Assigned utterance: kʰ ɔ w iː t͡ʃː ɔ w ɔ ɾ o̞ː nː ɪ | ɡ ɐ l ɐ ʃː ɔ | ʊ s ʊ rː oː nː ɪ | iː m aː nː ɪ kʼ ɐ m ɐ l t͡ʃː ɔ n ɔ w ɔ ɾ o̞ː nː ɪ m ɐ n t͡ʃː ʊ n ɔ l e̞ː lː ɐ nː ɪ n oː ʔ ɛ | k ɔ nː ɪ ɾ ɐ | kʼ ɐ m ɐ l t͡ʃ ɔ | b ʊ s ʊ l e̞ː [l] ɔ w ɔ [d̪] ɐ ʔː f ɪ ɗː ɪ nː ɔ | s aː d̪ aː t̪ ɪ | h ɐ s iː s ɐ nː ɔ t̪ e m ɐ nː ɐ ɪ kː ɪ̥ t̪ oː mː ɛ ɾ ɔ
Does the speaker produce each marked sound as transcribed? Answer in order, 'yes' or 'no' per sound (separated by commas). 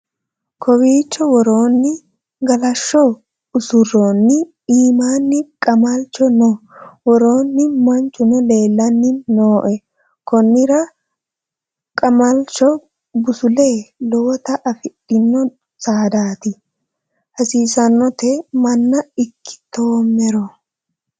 yes, no